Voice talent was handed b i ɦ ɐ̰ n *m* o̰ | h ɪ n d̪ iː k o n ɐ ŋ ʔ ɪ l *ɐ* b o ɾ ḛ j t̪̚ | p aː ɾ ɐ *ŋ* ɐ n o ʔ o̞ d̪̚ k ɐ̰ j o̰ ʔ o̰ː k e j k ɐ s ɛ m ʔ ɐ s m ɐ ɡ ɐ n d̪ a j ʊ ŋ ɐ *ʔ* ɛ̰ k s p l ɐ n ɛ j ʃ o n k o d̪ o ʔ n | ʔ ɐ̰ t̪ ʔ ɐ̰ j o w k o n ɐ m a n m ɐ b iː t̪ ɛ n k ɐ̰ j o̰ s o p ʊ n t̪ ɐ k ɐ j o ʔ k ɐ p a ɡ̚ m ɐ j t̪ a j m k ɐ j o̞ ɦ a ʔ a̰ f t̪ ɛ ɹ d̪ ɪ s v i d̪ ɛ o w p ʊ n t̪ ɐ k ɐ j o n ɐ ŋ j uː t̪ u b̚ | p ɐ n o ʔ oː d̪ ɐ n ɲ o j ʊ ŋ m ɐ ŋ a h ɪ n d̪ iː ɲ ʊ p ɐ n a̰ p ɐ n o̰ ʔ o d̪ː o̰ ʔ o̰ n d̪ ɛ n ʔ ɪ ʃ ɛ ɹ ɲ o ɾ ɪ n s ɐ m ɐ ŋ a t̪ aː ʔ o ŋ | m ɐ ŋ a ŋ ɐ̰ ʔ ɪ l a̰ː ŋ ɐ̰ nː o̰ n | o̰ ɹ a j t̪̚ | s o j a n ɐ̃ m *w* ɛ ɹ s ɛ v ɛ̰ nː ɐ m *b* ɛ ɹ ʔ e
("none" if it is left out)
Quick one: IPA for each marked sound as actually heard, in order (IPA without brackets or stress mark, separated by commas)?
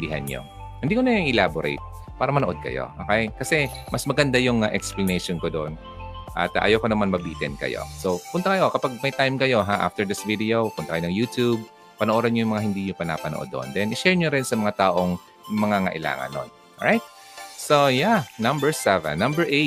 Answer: ɲ, a, m, ʔ, b, b